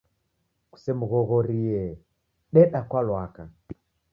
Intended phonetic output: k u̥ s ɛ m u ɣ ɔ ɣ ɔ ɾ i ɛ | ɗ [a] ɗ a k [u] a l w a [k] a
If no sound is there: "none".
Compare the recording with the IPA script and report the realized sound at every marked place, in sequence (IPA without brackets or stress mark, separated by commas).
ɛ, w, k